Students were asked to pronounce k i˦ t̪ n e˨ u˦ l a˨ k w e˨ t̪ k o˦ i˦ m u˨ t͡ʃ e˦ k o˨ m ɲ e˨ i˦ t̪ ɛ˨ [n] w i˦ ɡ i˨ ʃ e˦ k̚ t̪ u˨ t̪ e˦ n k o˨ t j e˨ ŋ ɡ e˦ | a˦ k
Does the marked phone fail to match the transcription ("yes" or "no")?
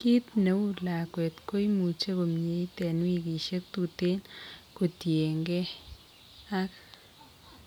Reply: no